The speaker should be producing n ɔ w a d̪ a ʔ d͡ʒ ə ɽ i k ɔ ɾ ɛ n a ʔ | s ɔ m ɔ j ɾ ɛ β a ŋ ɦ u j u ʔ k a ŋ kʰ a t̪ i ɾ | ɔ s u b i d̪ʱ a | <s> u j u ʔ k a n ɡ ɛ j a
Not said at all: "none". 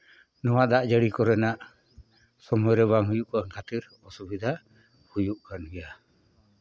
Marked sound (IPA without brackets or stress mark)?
h